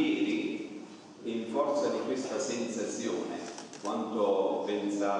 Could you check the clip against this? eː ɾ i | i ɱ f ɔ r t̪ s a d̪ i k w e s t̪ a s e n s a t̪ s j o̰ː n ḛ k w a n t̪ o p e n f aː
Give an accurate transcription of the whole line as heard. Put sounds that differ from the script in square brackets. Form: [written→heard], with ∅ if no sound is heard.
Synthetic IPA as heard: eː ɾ i | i ɱ f ɔ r t̪ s a d̪ i k w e s t̪ a s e n s a t̪ s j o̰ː n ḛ k w a n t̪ o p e n [f→s] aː